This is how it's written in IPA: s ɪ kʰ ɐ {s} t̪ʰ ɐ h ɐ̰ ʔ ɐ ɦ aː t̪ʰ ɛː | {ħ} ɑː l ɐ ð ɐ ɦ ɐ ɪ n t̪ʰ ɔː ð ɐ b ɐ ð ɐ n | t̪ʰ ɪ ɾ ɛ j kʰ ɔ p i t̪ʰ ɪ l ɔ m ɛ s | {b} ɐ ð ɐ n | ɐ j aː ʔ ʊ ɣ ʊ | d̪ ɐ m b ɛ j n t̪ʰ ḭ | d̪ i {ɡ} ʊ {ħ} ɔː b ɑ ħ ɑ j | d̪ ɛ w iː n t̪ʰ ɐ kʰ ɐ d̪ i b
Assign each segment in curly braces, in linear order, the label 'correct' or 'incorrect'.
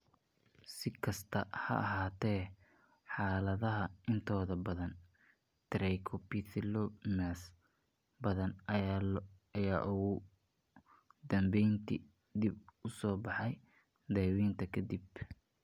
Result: correct, correct, correct, incorrect: b, incorrect: s

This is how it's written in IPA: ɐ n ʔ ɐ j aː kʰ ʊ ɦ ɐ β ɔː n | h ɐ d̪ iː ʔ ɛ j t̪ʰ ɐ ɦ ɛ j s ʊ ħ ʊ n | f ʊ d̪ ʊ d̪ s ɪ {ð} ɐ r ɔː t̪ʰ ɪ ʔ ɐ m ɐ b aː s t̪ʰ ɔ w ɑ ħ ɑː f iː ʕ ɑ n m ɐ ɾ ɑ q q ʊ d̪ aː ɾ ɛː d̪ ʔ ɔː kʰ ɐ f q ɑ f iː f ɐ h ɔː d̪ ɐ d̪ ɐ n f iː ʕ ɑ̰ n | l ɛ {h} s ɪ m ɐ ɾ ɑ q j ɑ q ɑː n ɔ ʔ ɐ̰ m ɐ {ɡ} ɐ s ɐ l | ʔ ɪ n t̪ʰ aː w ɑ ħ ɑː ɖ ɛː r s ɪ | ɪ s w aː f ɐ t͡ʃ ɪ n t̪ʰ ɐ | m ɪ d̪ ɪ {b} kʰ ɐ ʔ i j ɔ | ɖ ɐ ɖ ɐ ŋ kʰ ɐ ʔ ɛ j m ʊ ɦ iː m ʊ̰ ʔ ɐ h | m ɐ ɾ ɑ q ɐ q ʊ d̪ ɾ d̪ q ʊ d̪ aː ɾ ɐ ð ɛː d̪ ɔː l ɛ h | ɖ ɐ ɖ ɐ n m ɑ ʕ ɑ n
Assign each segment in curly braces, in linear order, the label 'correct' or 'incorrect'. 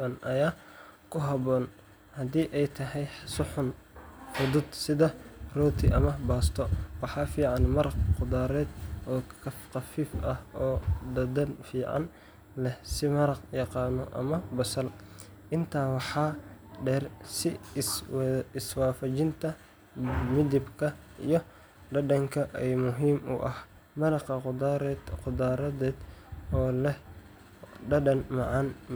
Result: correct, correct, incorrect: b, correct

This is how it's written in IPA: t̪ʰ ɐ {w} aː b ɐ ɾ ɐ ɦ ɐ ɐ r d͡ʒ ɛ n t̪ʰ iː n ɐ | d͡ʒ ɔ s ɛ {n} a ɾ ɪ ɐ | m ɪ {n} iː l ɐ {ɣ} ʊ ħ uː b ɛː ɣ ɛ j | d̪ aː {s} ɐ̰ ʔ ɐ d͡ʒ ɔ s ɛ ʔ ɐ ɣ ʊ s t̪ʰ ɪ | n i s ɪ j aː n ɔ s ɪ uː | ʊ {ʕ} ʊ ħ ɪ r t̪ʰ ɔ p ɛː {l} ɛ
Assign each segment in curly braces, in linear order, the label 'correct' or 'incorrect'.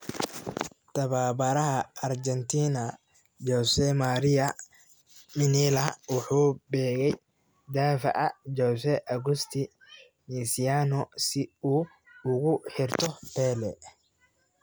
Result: incorrect: β, incorrect: m, correct, incorrect: w, incorrect: f, incorrect: ɣ, correct

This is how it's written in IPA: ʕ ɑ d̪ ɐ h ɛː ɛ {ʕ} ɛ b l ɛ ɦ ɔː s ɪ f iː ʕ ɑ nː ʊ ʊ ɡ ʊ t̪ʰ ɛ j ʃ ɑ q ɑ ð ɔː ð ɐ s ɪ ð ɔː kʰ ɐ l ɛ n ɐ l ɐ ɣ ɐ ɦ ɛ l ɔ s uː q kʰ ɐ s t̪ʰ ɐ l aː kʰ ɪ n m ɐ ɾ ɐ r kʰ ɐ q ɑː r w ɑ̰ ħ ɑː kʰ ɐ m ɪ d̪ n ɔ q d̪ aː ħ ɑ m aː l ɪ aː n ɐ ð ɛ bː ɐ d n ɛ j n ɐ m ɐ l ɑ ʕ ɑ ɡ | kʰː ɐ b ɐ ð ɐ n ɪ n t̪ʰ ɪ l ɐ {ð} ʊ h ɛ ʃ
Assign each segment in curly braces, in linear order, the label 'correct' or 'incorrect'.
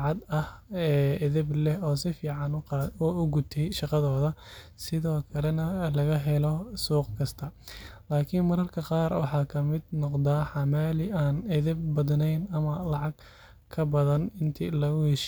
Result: incorrect: ð, incorrect: ɣ

